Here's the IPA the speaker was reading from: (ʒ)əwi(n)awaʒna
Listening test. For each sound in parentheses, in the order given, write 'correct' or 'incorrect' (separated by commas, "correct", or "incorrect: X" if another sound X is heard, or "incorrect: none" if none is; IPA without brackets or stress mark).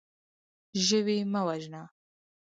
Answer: correct, incorrect: m